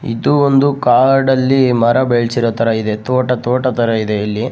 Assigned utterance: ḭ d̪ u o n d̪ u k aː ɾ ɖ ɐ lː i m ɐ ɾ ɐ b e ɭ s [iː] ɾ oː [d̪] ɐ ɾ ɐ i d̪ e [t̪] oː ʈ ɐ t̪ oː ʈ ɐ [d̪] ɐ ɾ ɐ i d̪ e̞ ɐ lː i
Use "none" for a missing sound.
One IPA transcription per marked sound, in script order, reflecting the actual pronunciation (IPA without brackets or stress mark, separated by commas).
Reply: i, t̪, t̪, t̪